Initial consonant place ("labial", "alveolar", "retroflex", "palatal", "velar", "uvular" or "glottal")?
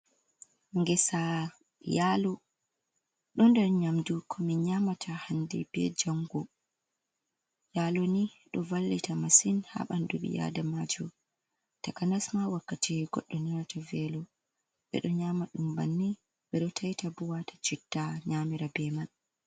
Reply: velar